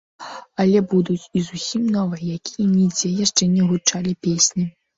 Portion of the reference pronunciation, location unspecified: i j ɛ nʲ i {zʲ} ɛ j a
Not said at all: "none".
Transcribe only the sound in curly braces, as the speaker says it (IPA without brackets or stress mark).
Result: d͡zʲ